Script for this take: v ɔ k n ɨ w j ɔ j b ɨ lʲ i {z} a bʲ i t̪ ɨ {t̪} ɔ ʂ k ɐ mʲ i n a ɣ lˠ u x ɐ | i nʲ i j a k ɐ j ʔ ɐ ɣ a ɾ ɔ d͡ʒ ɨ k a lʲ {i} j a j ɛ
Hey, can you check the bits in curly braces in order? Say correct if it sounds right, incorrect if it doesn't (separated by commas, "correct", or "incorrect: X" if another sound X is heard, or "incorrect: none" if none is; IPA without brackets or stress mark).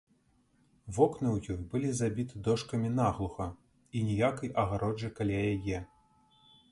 correct, incorrect: d̪, incorrect: a